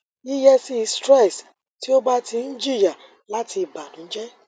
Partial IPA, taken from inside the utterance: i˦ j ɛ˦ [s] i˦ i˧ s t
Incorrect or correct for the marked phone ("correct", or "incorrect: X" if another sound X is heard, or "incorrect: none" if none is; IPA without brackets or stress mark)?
correct